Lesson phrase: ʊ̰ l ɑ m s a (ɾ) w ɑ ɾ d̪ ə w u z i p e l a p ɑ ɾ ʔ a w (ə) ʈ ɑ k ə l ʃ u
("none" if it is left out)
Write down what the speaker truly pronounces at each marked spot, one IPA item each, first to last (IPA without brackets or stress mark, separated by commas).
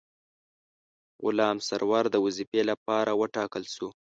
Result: ɾ, ə